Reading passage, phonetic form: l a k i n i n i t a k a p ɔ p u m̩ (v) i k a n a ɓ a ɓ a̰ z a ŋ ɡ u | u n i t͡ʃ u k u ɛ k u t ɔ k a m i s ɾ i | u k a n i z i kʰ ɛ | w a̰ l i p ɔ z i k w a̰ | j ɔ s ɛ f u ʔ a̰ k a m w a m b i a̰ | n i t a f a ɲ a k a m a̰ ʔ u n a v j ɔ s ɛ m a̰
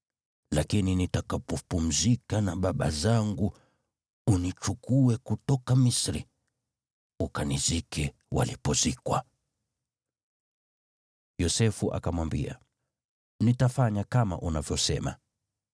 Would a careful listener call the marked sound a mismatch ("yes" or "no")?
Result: yes